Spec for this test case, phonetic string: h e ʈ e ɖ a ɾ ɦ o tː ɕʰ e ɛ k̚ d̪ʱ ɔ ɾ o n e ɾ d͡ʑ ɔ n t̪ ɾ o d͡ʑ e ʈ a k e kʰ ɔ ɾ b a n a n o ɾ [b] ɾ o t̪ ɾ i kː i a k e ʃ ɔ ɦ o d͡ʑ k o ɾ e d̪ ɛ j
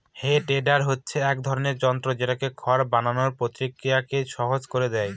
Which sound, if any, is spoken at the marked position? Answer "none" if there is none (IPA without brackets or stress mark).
p